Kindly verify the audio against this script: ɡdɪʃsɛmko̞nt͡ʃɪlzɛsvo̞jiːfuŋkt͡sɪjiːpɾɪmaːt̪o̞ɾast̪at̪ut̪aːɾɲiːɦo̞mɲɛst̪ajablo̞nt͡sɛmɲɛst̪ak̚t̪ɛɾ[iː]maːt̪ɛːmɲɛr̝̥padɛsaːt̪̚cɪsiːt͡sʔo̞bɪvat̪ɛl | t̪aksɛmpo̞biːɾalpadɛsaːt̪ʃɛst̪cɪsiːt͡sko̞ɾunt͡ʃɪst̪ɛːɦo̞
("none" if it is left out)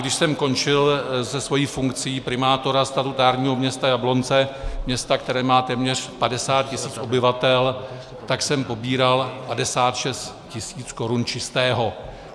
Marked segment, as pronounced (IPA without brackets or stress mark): ɛː